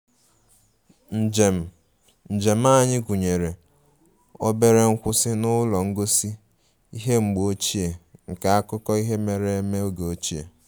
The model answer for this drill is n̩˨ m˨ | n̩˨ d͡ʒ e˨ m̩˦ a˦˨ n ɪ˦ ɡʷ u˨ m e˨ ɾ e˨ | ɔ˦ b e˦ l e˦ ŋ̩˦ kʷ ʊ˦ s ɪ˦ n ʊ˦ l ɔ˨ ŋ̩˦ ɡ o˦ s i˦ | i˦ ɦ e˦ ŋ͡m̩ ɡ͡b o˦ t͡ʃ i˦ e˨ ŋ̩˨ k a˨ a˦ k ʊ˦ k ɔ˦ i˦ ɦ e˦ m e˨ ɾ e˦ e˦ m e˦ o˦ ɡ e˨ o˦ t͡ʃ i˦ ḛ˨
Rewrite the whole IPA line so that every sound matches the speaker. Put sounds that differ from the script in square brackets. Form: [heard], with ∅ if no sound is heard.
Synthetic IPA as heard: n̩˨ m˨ | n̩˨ d͡ʒ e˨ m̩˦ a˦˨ [ɲ] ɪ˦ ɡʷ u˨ [ɲ] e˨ ɾ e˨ | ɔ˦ b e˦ [ɾ] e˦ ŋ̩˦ kʷ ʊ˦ s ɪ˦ n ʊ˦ l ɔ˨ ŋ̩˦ ɡ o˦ s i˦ | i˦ ɦ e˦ ŋ͡m̩ ɡ͡b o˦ t͡ʃ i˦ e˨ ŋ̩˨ k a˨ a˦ k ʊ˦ k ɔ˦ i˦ ɦ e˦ m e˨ ɾ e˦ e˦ m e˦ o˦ ɡ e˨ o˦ t͡ʃ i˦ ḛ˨